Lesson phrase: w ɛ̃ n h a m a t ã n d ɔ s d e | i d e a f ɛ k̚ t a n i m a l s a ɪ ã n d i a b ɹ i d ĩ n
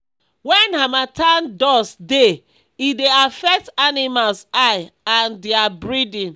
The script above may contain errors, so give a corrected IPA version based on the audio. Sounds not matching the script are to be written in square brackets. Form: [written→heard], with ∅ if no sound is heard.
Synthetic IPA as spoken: w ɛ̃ n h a m a t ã n d ɔ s d e | i d e a f ɛ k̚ t a n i m a l s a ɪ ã n d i a b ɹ i d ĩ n